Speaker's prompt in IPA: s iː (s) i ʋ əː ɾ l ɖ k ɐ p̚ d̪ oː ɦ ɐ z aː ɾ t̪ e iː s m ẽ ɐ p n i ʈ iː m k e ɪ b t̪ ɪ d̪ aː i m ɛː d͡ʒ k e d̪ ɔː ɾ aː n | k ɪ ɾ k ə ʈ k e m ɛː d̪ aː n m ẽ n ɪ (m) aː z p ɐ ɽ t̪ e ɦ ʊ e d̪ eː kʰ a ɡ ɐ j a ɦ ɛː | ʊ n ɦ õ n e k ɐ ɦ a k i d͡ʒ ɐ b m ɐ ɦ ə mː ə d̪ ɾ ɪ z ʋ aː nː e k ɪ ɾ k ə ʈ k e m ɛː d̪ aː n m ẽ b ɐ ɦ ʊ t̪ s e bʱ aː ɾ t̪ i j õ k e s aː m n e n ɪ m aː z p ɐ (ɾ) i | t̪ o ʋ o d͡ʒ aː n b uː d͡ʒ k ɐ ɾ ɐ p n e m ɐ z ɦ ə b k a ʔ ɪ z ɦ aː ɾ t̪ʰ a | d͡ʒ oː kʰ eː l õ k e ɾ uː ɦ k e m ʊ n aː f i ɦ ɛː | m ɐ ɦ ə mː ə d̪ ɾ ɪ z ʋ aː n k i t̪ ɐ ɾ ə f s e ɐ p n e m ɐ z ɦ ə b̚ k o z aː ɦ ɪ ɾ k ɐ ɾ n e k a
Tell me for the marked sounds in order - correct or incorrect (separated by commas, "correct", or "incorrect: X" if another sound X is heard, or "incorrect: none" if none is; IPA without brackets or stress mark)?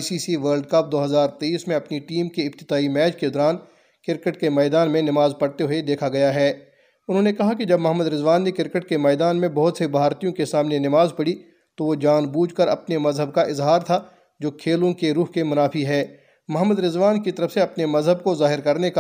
correct, correct, incorrect: ɽ